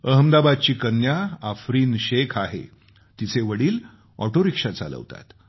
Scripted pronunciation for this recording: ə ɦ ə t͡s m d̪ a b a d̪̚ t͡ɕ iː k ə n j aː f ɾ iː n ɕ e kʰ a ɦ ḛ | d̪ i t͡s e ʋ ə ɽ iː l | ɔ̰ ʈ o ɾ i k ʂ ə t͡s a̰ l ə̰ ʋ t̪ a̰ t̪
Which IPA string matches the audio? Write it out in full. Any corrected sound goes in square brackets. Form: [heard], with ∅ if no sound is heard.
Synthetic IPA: ə ɦ ə [∅] m d̪ a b a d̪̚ t͡ɕ iː k ə n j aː f ɾ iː n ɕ e kʰ a ɦ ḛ | [t̪] i t͡s e ʋ ə ɽ iː l | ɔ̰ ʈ o ɾ i k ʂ [a] t͡s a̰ l ə̰ ʋ t̪ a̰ t̪